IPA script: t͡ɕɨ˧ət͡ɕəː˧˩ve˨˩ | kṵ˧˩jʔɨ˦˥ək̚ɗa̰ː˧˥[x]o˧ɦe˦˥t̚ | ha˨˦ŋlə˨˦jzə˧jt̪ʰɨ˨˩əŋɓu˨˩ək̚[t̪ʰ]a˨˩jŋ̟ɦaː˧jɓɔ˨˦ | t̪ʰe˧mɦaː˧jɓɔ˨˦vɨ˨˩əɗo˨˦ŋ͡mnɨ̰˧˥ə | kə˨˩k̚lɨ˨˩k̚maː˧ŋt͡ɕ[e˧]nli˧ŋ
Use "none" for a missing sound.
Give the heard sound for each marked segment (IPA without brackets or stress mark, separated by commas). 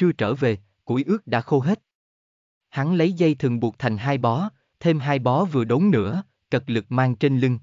x, t̪ʰ, e˧